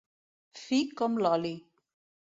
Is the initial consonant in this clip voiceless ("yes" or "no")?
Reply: yes